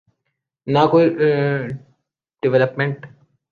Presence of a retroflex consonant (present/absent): present